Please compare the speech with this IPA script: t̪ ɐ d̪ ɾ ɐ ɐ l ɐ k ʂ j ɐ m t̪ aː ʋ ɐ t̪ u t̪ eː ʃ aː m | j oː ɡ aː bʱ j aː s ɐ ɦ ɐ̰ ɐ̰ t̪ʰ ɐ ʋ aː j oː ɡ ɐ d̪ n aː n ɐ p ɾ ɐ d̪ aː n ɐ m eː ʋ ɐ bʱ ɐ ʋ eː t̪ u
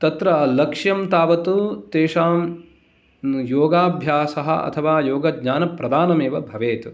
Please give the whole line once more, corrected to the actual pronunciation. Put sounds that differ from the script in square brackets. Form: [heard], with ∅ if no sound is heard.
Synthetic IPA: t̪ ɐ [t̪] ɾ ɐ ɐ l ɐ k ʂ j ɐ m t̪ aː ʋ ɐ t̪ u t̪ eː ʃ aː m | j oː ɡ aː bʱ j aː s ɐ ɦ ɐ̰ ɐ̰ t̪ʰ ɐ ʋ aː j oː ɡ ɐ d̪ [ɲ] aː n ɐ p ɾ ɐ d̪ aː n ɐ m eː ʋ ɐ bʱ ɐ ʋ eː t̪ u

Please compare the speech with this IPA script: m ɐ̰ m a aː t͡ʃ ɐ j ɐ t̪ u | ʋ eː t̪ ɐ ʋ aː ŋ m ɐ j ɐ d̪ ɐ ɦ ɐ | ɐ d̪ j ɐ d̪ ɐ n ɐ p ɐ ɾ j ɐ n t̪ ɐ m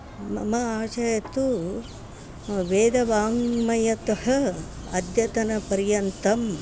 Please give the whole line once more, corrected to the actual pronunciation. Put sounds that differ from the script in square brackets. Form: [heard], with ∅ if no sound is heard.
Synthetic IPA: m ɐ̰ m [ɐ] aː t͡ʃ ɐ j ɐ t̪ u | ʋ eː [d̪] ɐ ʋ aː ŋ m ɐ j ɐ [t̪] ɐ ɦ ɐ | ɐ d̪ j ɐ [t̪] ɐ n ɐ p ɐ ɾ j ɐ n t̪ ɐ m

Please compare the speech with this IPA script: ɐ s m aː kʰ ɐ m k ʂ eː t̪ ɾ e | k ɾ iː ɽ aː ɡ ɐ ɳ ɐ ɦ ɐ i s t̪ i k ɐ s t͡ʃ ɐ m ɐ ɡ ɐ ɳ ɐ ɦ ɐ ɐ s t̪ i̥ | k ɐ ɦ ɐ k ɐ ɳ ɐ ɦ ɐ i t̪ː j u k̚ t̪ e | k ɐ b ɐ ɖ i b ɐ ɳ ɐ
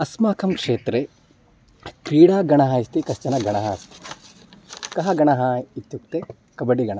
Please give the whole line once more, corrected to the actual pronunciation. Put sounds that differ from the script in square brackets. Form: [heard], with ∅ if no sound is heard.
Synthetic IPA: ɐ s m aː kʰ ɐ m k ʂ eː t̪ ɾ e | k ɾ iː ɽ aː ɡ ɐ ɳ ɐ ɦ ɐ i s t̪ i k ɐ s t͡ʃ ɐ [n] ɐ ɡ ɐ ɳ ɐ ɦ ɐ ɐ s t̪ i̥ | k ɐ ɦ ɐ [ɡ] ɐ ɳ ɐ ɦ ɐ i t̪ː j u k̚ t̪ e | k ɐ b ɐ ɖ i [ɡ] ɐ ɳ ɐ

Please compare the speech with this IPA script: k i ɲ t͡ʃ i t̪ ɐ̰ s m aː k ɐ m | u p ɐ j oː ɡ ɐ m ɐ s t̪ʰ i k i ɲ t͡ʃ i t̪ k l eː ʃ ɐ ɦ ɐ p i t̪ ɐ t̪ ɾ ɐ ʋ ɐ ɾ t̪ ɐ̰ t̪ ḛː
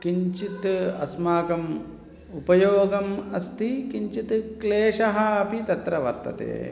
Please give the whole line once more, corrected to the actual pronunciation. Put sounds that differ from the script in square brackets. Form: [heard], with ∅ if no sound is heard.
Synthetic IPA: k i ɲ t͡ʃ i t̪ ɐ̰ s m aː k ɐ m | u p ɐ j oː ɡ ɐ m ɐ s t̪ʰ i k i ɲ t͡ʃ i t̪ k l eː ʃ ɐ ɦ ɐ p i t̪ ɐ t̪ ɾ ɐ ʋ ɐ ɾ t̪ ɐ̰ t̪ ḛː

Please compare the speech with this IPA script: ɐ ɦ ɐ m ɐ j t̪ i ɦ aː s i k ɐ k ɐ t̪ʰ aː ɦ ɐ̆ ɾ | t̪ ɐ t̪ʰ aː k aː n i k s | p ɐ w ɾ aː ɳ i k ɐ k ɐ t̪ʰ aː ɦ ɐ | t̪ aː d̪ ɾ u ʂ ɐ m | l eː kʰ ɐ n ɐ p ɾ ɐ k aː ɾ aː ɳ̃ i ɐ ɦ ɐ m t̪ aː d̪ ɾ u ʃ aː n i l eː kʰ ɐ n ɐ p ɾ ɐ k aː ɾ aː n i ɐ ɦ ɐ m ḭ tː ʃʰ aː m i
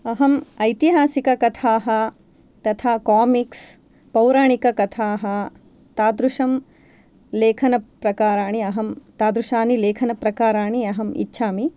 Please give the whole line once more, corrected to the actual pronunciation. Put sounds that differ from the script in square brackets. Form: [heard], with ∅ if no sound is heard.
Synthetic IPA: ɐ ɦ ɐ m ɐ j t̪ i ɦ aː s i k ɐ k ɐ t̪ʰ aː ɦ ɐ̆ [∅] | t̪ ɐ t̪ʰ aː k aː [m] i k s | p ɐ w ɾ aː ɳ i k ɐ k ɐ t̪ʰ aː ɦ ɐ | t̪ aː d̪ ɾ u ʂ ɐ m | l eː kʰ ɐ n ɐ p ɾ ɐ k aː ɾ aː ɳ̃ i ɐ ɦ ɐ m t̪ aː d̪ ɾ u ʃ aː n i l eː kʰ ɐ n ɐ p ɾ ɐ k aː ɾ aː [ɳ] i ɐ ɦ ɐ m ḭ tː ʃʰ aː m i

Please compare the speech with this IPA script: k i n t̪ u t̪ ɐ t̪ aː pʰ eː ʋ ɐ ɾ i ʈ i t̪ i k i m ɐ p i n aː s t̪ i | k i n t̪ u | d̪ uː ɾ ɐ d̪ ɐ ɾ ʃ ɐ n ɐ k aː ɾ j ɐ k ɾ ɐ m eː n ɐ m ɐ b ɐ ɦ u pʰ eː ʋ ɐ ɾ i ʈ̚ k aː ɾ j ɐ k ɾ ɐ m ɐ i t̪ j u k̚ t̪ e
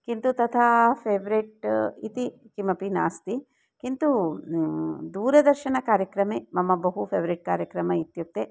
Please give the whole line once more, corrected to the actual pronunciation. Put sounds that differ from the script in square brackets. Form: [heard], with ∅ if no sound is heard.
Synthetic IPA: k i n t̪ u t̪ ɐ [t̪ʰ] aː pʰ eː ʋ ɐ ɾ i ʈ i t̪ i k i m ɐ p i n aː s t̪ i | k i n t̪ u | d̪ uː ɾ ɐ d̪ ɐ ɾ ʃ ɐ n ɐ k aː ɾ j ɐ k ɾ ɐ m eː [m] ɐ m ɐ b ɐ ɦ u pʰ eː ʋ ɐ ɾ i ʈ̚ k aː ɾ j ɐ k ɾ ɐ m ɐ i t̪ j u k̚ t̪ e

